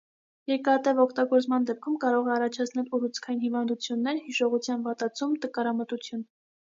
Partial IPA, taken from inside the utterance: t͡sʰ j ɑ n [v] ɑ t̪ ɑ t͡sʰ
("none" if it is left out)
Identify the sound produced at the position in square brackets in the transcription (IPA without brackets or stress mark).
v